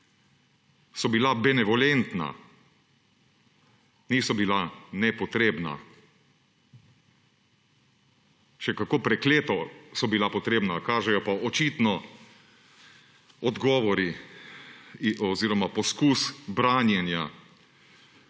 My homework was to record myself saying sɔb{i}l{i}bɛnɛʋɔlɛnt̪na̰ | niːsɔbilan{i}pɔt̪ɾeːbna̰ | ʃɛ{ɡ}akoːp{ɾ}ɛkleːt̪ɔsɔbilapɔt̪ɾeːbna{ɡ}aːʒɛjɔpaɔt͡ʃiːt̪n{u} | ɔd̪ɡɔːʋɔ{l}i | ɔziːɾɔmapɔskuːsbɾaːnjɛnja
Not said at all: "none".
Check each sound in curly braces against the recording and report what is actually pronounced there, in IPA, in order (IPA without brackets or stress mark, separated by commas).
i, a, ɛ, k, ɾ, k, ɔ, ɾ